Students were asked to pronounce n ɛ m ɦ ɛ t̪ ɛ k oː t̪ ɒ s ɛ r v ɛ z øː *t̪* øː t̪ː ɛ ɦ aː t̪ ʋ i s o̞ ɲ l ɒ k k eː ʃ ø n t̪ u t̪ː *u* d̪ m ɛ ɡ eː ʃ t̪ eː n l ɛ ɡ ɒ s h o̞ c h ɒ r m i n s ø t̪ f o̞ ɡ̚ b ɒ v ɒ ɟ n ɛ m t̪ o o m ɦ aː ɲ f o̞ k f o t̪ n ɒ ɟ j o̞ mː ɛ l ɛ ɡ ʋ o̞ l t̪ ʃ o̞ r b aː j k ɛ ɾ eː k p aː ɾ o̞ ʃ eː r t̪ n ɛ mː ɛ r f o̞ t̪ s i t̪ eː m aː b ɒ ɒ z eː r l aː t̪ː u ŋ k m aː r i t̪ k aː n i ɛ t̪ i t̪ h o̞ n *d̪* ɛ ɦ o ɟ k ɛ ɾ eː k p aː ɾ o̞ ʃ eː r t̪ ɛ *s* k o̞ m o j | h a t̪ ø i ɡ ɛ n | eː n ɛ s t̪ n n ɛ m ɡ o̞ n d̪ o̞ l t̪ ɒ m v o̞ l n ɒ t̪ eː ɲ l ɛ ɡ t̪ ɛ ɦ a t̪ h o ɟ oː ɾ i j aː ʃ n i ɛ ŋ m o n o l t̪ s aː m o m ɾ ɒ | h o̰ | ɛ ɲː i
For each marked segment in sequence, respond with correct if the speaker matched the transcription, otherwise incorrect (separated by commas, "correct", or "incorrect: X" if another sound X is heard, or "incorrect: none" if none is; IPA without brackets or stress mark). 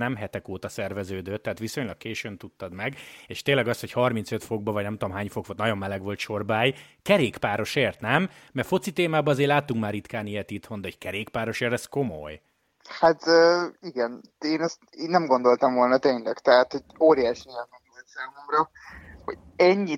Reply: incorrect: d̪, incorrect: ɒ, correct, correct